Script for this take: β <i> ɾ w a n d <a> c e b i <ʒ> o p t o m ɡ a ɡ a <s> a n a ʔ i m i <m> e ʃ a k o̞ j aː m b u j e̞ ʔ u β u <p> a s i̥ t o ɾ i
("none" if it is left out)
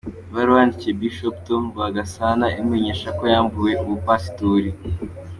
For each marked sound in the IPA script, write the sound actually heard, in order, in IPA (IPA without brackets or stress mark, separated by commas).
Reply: a, i, ʃ, s, ɲ, p